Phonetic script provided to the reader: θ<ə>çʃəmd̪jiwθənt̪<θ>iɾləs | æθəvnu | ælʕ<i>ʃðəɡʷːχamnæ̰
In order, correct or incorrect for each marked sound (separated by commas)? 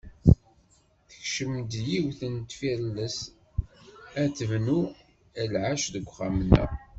correct, incorrect, incorrect